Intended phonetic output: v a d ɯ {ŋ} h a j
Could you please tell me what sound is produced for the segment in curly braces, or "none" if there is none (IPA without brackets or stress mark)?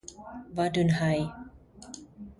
n